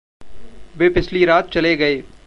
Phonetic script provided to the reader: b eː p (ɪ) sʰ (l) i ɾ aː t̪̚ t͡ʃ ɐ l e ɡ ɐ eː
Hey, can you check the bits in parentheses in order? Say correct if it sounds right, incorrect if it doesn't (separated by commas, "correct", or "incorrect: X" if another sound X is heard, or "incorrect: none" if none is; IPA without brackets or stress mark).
correct, correct